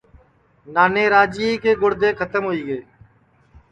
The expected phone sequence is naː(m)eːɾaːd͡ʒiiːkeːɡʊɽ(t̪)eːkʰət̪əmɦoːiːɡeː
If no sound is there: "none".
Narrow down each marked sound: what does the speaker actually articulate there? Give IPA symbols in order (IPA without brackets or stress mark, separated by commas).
n, d̪